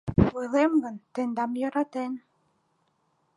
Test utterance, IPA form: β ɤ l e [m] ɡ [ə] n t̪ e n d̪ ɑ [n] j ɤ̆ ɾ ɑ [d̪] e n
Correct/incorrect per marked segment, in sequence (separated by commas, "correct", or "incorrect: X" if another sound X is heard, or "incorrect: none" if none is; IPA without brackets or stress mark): correct, correct, incorrect: m, incorrect: t̪